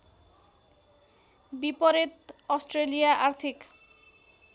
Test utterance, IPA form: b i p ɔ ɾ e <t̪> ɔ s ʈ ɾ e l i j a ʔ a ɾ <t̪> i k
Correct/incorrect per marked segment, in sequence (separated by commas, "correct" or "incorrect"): correct, incorrect